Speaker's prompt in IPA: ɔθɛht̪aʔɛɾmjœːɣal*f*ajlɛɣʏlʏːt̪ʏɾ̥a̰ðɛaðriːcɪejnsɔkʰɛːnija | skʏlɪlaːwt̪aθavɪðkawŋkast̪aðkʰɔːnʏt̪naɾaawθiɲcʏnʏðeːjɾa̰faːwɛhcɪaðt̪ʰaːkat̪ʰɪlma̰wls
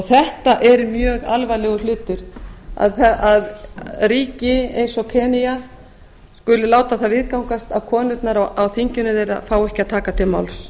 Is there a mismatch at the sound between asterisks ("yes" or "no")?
yes